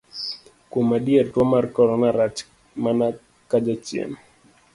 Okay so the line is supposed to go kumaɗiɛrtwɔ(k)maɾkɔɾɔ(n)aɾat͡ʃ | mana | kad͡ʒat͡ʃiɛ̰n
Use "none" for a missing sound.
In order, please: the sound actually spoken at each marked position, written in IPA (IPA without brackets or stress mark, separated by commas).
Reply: none, n